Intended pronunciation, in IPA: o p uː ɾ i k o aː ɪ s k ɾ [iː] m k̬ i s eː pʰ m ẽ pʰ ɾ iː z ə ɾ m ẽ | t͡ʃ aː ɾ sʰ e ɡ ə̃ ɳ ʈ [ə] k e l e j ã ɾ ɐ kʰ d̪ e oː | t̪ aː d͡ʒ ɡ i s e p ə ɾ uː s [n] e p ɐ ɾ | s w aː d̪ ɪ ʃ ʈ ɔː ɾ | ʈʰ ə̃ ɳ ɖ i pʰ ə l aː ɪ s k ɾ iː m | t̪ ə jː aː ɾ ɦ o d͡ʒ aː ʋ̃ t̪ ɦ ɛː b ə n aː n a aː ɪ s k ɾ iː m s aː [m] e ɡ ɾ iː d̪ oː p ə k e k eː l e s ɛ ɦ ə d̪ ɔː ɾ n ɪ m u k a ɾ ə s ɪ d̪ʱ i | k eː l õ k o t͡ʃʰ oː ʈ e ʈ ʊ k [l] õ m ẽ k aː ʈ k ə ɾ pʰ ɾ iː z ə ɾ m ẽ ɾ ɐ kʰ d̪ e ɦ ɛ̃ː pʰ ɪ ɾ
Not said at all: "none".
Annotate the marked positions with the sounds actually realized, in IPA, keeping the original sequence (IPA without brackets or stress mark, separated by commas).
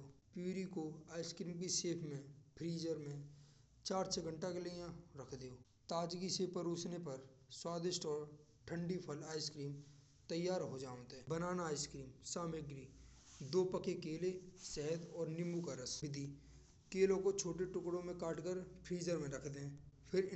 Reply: iː, a, n, m, ɽ